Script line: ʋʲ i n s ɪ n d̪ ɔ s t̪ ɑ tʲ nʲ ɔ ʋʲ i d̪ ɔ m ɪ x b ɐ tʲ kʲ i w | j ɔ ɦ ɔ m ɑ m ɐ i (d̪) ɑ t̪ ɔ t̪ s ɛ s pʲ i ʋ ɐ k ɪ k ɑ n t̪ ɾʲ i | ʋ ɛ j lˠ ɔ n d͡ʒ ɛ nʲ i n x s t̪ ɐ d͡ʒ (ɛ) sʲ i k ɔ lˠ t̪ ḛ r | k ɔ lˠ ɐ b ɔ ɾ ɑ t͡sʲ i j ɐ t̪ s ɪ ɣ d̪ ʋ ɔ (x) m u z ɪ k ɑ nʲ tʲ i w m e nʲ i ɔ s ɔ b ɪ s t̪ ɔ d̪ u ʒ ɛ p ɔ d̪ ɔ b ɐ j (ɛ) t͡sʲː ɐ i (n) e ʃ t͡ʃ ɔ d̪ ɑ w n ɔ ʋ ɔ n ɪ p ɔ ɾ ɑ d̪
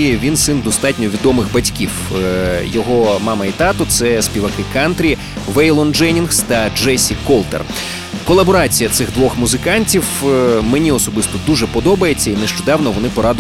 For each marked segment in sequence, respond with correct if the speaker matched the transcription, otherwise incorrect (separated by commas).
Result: incorrect, correct, correct, incorrect, correct